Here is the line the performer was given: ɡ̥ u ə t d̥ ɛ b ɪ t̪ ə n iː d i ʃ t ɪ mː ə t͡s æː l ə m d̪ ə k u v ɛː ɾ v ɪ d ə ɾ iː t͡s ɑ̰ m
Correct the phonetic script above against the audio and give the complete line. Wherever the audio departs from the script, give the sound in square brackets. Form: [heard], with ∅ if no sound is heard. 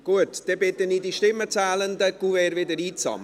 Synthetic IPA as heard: ɡ̥ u ə t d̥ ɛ b ɪ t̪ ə n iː d i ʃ t ɪ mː ə t͡s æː l ə [n] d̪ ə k u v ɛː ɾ v ɪ d ə ɾ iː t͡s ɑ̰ m